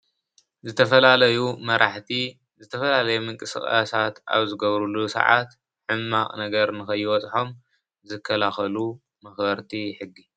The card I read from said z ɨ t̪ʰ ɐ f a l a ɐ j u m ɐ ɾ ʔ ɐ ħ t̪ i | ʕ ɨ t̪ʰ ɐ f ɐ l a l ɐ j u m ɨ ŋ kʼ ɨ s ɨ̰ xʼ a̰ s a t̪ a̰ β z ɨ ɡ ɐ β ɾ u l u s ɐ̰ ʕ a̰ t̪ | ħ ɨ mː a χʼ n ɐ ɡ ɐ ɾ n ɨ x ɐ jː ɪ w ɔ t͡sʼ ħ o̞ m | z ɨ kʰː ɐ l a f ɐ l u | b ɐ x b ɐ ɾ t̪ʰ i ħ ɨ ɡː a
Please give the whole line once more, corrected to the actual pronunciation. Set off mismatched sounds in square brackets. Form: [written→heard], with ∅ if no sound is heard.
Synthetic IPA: z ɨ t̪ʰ ɐ f [a→ɐ] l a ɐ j u m ɐ ɾ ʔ [ɐ→a] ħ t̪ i | [ʕ→z] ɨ t̪ʰ ɐ f ɐ l a l ɐ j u m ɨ ŋ kʼ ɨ s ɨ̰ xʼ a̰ s a t̪ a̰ β z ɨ ɡ ɐ β ɾ u l u s ɐ̰ ʕ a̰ t̪ | ħ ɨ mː a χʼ n ɐ ɡ ɐ ɾ n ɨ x ɐ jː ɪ w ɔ t͡sʼ ħ o̞ m | z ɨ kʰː ɐ l a [f→x] ɐ l u | [b→m] ɐ x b ɐ ɾ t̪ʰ i ħ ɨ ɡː [a→i]

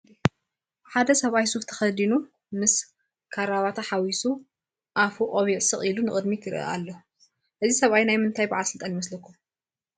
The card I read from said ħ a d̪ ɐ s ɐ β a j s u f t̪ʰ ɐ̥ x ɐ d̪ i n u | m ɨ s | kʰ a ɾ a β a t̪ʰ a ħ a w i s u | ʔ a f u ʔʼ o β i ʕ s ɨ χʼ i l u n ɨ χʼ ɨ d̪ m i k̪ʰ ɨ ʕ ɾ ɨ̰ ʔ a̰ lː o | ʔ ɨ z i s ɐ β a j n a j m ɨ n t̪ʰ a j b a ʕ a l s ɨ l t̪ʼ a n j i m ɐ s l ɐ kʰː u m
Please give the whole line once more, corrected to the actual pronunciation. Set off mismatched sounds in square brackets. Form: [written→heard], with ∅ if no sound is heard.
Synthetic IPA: ħ a d̪ ɐ s ɐ β a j s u f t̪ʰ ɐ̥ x ɐ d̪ i n u | m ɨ s | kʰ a ɾ a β a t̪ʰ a ħ a w i s u | ʔ a f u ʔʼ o β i ʕ s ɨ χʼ i l u n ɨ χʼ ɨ d̪ m i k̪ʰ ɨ [ʕ→∅] ɾ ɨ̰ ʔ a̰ lː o | ʔ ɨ z i s ɐ β a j n a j m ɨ n t̪ʰ a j b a ʕ a l s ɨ l t̪ʼ a n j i m ɐ s l ɐ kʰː u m

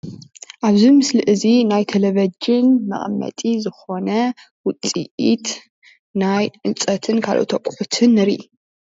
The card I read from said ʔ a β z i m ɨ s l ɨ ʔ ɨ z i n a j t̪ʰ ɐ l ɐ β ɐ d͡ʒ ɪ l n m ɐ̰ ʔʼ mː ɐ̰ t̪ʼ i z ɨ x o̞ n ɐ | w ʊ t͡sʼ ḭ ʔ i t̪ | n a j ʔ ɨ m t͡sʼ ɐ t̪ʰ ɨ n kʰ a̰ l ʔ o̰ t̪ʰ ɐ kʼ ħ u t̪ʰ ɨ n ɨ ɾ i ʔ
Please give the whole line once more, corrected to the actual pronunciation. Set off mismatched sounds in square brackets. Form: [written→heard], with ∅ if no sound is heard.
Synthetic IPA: ʔ a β z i m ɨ s l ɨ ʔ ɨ z i n a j t̪ʰ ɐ l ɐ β ɐ d͡ʒ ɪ [l→∅] n m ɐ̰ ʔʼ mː ɐ̰ t̪ʼ i z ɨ x o̞ n ɐ | w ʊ t͡sʼ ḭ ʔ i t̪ | n a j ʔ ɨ [m→n] t͡sʼ ɐ t̪ʰ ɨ n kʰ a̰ l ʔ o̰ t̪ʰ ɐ kʼ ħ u t̪ʰ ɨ n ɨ ɾ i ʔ

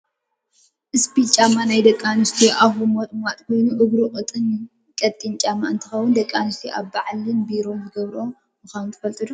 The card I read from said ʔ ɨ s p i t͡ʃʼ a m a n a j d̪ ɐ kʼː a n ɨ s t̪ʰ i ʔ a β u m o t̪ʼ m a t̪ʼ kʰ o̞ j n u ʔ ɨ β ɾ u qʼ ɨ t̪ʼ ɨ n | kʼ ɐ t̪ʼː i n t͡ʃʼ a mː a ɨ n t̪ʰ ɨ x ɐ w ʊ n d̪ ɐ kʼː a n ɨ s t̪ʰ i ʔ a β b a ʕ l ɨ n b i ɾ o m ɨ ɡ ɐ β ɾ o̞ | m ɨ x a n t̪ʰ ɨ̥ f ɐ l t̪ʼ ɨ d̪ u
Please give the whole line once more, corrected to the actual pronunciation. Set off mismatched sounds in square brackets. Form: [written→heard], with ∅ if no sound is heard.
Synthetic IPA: ʔ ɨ s p i t͡ʃʼ a m a n a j d̪ ɐ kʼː a n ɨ s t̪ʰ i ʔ a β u m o t̪ʼ m a t̪ʼ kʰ o̞ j n u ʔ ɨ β ɾ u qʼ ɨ t̪ʼ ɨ n | kʼ ɐ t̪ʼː i n t͡ʃʼ a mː a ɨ n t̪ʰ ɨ x ɐ w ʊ n d̪ ɐ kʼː a n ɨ s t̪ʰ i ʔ a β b a ʕ l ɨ n b i ɾ o m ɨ ɡ ɐ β ɾ o̞ | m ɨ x a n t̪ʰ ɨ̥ f ɐ l t̪ʼ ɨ d̪ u

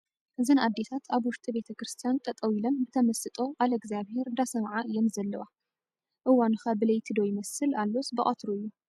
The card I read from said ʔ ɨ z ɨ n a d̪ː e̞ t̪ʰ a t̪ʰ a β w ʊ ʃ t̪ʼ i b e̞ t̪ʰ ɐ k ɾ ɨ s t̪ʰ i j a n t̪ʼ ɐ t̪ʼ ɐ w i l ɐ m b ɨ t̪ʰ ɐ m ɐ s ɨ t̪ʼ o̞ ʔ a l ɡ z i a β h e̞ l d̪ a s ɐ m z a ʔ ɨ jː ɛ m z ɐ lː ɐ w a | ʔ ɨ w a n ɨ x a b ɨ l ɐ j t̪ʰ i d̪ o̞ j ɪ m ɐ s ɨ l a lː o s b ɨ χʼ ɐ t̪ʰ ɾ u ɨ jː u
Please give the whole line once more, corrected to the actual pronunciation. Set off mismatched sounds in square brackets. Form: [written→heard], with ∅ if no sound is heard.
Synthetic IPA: ʔ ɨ z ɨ n a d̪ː e̞ t̪ʰ a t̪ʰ a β w ʊ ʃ t̪ʼ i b e̞ t̪ʰ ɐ k ɾ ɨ s t̪ʰ i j a n t̪ʼ ɐ t̪ʼ ɐ w i l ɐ m b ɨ t̪ʰ ɐ m ɐ s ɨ t̪ʼ o̞ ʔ a l ɡ z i a β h e̞ [l→ɾ] d̪ a s ɐ m [z→ʕ] a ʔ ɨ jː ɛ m z ɐ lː ɐ w a | ʔ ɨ w a n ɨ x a b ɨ l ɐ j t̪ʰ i d̪ o̞ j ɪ m ɐ s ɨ l a lː o s b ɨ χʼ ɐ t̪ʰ ɾ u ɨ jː u

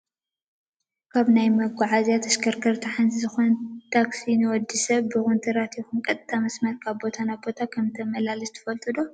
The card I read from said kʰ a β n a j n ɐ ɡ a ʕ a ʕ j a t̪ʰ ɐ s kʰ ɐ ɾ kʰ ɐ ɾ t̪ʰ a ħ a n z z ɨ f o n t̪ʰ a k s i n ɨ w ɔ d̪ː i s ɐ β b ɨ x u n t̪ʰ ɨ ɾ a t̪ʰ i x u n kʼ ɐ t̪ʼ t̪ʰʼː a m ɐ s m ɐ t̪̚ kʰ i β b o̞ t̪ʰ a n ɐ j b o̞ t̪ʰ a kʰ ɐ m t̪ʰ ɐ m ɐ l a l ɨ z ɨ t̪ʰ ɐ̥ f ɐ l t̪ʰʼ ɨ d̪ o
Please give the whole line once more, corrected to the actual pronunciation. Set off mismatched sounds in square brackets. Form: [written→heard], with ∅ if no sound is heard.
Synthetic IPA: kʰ a β n a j [n→m] ɐ ɡ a ʕ a [ʕ→z] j a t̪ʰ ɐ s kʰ ɐ ɾ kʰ ɐ ɾ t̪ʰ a ħ a n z z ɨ [f→x] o n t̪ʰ a k s i n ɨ w ɔ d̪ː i s ɐ β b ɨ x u n t̪ʰ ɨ ɾ a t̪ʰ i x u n kʼ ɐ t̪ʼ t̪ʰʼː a m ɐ s m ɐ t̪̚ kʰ [i→a] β b o̞ t̪ʰ a n [ɐ→a] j b o̞ t̪ʰ a kʰ ɐ m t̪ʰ ɐ m ɐ l a l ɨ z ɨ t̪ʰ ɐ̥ f ɐ l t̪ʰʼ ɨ d̪ o

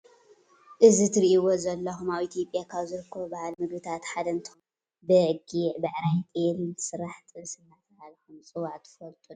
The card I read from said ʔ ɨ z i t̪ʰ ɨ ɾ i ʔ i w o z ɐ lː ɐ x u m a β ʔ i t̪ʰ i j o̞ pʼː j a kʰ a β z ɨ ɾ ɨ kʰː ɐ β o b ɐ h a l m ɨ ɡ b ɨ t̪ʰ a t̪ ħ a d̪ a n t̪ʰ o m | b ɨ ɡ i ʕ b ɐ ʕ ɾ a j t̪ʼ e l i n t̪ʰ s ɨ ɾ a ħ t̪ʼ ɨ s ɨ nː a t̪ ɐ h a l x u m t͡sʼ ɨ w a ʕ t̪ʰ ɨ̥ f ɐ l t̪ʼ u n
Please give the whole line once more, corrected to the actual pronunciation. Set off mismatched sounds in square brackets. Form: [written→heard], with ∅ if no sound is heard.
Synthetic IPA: ʔ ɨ z i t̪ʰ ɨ ɾ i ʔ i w o z ɐ lː ɐ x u m a β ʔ i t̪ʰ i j o̞ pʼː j a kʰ a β z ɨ ɾ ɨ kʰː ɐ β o b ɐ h a l m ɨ ɡ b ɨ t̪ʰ a t̪ ħ a d̪ [a→ɐ] n t̪ʰ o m | b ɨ ɡ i ʕ b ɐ ʕ ɾ a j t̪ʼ e l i n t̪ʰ s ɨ ɾ a ħ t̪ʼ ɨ s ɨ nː a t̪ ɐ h a l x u m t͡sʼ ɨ w a ʕ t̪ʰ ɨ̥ f ɐ l t̪ʼ u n

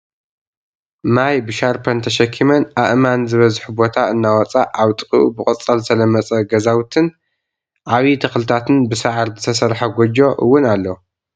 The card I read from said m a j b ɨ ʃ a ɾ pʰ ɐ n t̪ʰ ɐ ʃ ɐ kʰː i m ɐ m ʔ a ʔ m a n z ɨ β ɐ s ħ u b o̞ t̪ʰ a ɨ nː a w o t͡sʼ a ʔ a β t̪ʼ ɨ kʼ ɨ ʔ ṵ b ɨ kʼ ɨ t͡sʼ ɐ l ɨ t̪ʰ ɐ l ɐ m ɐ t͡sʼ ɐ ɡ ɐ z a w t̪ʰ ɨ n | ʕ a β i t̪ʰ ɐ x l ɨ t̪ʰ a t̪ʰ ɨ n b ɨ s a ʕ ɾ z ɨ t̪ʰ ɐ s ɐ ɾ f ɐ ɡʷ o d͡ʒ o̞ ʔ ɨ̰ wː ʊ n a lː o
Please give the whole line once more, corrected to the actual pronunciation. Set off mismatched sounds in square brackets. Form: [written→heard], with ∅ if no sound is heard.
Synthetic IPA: m a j b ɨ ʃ a ɾ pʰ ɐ n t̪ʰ ɐ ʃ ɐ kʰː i m ɐ [m→n] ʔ a ʔ m a n z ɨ β ɐ [s→z] ħ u b o̞ t̪ʰ a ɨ nː a w [o→ɔ] t͡sʼ a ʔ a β t̪ʼ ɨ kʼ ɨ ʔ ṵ b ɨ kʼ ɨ t͡sʼ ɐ l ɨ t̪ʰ ɐ l ɐ m ɐ t͡sʼ ɐ ɡ ɐ z a w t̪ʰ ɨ n | ʕ a β i t̪ʰ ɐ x l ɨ t̪ʰ a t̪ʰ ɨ n b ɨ s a ʕ ɾ z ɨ t̪ʰ ɐ s ɐ ɾ [f→ħ] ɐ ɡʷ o d͡ʒ o̞ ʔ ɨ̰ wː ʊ n a lː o

